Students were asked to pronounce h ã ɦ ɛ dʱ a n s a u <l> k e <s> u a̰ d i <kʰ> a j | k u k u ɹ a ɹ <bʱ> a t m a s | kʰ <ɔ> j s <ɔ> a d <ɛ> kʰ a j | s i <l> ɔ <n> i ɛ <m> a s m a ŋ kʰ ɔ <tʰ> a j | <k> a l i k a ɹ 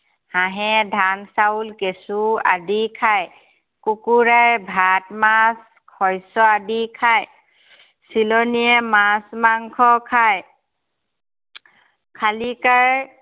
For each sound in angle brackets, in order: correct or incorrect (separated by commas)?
correct, correct, correct, correct, correct, correct, incorrect, correct, correct, correct, incorrect, incorrect